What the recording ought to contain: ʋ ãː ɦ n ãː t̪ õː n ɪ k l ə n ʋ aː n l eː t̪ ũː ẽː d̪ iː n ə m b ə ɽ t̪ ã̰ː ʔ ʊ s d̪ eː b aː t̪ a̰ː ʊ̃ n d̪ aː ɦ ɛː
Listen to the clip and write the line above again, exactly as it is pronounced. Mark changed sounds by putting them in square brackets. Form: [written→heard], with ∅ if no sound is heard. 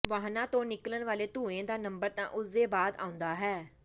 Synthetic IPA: ʋ [ãː→aː] ɦ n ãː t̪ õː n ɪ k l ə n ʋ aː [n→∅] l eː t̪ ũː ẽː d̪ [iː→aː] n ə m b ə [ɽ→ɾ] t̪ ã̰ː ʔ ʊ s d̪ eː b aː [t̪→d̪] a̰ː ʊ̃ n d̪ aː ɦ ɛː